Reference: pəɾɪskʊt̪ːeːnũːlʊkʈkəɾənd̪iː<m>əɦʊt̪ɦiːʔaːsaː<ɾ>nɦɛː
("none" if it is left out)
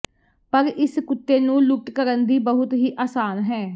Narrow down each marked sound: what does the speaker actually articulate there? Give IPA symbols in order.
b, none

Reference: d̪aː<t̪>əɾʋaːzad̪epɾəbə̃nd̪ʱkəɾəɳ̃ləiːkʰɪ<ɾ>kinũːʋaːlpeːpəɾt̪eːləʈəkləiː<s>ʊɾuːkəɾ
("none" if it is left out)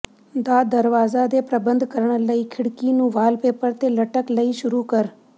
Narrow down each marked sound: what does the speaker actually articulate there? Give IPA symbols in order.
d̪, ɽ, ʃ

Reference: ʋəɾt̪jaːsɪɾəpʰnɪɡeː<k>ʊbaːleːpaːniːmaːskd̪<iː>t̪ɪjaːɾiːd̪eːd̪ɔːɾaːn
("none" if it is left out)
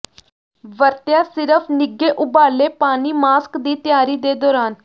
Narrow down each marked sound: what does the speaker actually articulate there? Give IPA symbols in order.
ʔ, iː

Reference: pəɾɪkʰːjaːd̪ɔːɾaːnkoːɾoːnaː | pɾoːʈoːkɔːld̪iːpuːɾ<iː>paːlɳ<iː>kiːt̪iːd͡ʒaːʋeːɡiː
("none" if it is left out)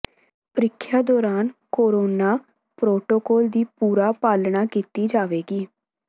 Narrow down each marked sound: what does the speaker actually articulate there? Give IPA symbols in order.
aː, aː

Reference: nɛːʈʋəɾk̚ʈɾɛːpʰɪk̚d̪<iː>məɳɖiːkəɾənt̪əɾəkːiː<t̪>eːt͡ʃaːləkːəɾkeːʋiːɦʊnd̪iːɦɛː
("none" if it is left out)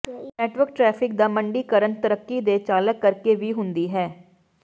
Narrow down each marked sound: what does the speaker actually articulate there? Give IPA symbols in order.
aː, d̪

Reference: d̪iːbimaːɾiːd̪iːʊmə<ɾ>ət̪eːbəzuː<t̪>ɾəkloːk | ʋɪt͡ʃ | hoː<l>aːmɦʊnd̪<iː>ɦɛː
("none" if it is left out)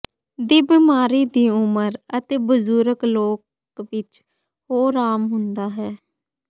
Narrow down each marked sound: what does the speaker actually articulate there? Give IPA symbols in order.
ɾ, none, ɾ, aː

